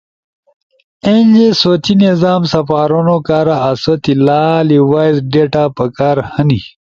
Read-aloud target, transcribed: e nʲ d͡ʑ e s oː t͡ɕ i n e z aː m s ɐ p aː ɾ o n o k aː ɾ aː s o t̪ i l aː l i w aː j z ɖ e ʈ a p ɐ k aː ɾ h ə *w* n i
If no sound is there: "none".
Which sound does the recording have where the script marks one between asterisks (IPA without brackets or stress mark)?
none